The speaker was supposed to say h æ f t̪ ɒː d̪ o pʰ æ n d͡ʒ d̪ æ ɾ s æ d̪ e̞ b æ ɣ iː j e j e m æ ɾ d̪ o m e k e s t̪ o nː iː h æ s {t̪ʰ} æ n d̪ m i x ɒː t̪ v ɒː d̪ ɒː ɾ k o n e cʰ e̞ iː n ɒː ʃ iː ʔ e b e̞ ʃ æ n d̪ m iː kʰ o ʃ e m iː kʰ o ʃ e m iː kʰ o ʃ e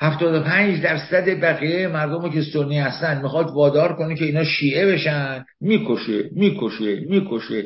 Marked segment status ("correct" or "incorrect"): incorrect